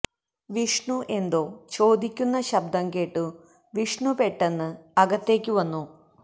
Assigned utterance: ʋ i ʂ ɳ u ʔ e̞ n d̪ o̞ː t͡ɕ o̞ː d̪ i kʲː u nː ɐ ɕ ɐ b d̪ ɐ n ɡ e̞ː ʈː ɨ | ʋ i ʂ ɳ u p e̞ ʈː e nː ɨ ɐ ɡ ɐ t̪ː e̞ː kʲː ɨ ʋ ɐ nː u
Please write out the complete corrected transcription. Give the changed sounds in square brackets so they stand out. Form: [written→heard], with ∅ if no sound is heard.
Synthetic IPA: ʋ i ʂ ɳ u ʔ e̞ n d̪ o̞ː t͡ɕ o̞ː d̪ i kʲː u nː ɐ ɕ ɐ b d̪ ɐ [n→ŋ] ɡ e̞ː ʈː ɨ | ʋ i ʂ ɳ u p e̞ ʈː e nː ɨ ɐ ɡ ɐ t̪ː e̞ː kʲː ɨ ʋ ɐ nː u